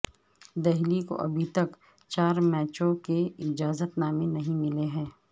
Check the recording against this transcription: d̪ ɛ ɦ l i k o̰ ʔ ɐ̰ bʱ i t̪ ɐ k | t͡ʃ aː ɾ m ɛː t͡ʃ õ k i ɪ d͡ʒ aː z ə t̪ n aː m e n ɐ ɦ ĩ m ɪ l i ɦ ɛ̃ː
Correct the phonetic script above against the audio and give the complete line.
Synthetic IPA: d̪ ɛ ɦ l i k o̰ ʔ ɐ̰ bʱ i t̪ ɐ k | t͡ʃ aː ɾ m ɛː t͡ʃ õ k e ɪ d͡ʒ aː z ə t̪ n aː m e n ɐ ɦ ĩ m ɪ l e ɦ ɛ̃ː

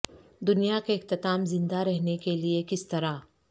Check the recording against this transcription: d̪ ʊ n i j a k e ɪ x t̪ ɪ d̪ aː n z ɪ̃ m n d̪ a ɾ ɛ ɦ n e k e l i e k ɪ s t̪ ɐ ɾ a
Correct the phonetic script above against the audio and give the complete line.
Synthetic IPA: d̪ ʊ n i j a k e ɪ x t̪ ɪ t̪ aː m z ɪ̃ n d̪ a ɾ ɛ ɦ n e k e l i e k ɪ s t̪ ɐ ɾ a

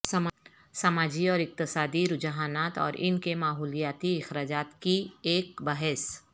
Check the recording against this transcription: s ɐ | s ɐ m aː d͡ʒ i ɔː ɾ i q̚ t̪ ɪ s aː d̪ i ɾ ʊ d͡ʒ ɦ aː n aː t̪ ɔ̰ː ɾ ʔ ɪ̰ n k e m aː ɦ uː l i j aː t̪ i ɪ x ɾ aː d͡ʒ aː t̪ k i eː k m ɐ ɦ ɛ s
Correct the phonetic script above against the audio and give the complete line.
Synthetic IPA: s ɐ | s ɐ m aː d͡ʒ i ɔː ɾ ɪ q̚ t̪ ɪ s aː d̪ i ɾ ʊ d͡ʒ ɦ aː n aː t̪ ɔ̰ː ɾ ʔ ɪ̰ n k e m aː ɦ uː l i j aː t̪ i ɪ x ɾ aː d͡ʒ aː t̪ k i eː k b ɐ ɦ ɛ s

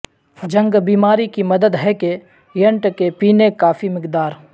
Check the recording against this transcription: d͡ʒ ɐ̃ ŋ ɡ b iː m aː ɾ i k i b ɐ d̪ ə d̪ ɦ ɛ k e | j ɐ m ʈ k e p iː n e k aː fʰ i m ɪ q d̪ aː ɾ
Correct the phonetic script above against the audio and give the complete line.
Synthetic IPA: d͡ʒ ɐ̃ ŋ ɡ b iː m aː ɾ i k i m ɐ d̪ ə d̪ ɦ ɛ k e | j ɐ ɳ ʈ k e p iː n e k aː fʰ i m ɪ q d̪ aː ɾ

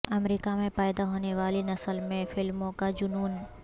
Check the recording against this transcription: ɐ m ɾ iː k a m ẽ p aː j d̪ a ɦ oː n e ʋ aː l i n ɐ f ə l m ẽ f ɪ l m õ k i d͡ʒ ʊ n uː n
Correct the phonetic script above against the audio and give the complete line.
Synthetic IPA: ɐ m ɾ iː k a m ẽ p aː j d̪ a ɦ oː n e ʋ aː l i n ɐ s ə l m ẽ f ɪ l m õ k a d͡ʒ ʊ n uː n

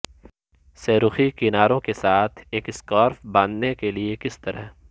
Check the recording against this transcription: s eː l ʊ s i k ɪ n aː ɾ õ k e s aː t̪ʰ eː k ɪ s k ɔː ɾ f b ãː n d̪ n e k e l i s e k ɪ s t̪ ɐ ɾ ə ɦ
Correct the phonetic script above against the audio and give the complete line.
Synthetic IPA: s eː ɾ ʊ x i k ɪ n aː ɾ õ k e s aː t̪ʰ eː k ɪ s k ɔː ɾ f b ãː n d̪ n e k e l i e k ɪ s t̪ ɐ ɾ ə ɦ

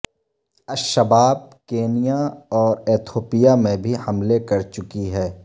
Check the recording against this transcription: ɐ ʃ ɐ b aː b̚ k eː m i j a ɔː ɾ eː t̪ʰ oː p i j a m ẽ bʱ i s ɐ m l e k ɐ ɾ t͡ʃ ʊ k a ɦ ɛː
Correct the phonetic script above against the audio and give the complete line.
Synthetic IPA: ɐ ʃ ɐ b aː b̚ k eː n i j a ɔː ɾ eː t̪ʰ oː p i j a m ẽ bʱ i h ɐ m l e k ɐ ɾ t͡ʃ ʊ k i ɦ ɛː

